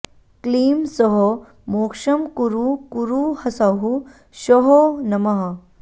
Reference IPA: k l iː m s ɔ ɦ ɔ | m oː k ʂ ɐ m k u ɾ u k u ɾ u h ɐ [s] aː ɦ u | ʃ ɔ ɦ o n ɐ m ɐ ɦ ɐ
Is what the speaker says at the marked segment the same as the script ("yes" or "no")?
yes